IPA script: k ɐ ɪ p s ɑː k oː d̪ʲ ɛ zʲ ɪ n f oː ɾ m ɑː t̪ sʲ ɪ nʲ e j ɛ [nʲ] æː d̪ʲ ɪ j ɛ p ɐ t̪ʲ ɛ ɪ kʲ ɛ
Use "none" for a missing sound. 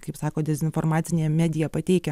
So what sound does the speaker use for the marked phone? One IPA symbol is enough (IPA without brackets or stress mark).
mʲ